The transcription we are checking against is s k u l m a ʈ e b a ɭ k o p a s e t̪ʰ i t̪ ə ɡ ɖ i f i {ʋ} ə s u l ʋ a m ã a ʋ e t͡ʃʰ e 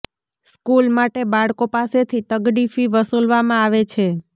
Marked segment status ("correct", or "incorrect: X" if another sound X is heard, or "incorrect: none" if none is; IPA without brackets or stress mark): correct